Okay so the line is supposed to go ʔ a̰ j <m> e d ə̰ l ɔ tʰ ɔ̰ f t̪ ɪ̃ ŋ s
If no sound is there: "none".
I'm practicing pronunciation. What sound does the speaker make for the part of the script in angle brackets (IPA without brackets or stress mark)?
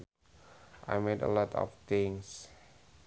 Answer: m